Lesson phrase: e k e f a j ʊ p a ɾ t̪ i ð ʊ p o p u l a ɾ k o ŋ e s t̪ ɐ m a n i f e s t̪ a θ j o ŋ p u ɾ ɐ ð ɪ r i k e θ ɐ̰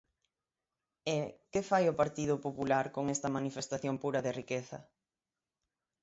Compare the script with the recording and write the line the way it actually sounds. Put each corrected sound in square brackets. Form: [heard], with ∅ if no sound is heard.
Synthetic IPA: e k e f a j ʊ p a ɾ t̪ i ð ʊ p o p u l a ɾ k o ŋ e s t̪ ɐ m a n i f e s t̪ a θ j o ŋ p u ɾ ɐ ð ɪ r i k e θ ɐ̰